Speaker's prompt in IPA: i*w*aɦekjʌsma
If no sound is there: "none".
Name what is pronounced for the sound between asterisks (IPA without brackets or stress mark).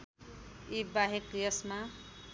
b